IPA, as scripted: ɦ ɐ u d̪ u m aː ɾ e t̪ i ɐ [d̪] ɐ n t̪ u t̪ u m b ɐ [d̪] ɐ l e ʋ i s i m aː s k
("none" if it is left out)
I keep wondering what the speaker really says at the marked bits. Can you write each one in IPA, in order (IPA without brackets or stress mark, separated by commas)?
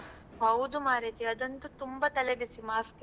d̪, t̪